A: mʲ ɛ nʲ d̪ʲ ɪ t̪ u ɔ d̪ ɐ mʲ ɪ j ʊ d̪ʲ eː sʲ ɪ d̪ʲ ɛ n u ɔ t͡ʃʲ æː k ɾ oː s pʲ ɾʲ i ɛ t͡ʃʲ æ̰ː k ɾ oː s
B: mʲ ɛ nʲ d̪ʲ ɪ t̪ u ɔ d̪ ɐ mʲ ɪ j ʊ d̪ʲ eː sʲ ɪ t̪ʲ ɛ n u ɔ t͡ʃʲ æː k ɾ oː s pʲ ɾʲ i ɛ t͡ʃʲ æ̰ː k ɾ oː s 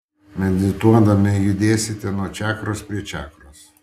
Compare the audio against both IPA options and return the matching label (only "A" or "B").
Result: B